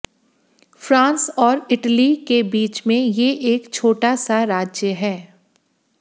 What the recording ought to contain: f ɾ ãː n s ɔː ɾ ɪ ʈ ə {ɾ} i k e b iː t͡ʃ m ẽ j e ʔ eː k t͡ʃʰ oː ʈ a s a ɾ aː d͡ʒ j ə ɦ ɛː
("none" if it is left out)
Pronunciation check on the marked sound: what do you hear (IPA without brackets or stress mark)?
l